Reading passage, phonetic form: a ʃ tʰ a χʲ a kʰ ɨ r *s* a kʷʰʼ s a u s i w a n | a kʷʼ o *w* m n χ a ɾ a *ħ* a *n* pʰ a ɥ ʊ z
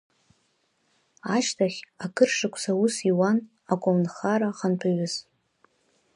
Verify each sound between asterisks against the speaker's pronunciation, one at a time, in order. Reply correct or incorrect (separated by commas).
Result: incorrect, incorrect, incorrect, correct